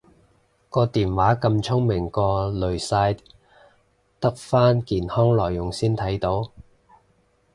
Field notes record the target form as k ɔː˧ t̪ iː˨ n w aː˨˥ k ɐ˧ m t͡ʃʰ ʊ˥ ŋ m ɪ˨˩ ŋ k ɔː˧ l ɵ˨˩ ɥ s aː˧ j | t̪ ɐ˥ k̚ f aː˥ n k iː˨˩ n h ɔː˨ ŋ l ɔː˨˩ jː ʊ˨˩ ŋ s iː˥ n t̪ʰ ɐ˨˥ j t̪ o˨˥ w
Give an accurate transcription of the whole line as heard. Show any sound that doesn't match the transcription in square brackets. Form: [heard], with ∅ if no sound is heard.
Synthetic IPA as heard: k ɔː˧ t̪ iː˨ n w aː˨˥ k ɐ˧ m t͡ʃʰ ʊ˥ ŋ m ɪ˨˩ ŋ k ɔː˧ l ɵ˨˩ ɥ s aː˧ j | t̪ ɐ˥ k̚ f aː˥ n k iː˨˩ n h [ɔː˥] ŋ l ɔː˨˩ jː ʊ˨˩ ŋ s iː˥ n t̪ʰ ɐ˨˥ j t̪ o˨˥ w